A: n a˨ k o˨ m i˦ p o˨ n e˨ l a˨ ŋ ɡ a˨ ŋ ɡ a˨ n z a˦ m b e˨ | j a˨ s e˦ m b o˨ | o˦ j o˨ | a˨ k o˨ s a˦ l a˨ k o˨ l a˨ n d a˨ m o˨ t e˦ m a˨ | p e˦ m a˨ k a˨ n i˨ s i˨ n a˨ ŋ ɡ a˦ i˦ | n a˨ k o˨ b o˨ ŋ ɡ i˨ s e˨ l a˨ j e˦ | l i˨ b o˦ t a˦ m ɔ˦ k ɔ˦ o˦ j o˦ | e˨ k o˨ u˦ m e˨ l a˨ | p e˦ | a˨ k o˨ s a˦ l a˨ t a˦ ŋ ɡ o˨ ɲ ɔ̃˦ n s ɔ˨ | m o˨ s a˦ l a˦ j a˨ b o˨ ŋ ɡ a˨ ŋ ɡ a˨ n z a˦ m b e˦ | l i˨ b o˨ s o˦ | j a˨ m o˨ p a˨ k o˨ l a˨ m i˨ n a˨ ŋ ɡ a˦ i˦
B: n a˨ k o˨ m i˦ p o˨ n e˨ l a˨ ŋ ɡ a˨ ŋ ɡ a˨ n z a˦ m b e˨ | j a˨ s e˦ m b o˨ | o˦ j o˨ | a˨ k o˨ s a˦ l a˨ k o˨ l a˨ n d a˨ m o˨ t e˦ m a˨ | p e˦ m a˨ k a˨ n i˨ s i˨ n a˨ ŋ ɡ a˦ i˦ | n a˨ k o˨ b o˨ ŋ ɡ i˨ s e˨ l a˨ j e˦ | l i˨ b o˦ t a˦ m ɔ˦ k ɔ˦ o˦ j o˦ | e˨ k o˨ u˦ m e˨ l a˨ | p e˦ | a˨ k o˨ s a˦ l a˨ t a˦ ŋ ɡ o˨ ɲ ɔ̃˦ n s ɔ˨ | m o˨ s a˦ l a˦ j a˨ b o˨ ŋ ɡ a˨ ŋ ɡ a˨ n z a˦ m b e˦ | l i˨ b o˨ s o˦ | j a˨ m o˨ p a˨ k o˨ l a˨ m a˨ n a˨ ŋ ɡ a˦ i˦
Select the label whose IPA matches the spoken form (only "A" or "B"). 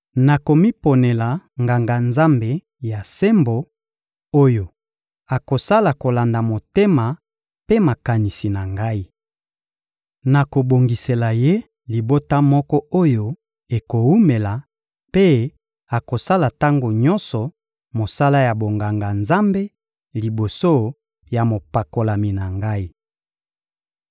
A